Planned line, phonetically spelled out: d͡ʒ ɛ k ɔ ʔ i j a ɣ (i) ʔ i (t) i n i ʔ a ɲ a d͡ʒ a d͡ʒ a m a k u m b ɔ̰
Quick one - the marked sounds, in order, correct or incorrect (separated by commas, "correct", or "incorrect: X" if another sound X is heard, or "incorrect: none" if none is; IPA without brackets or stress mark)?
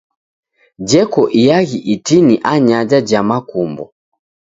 correct, correct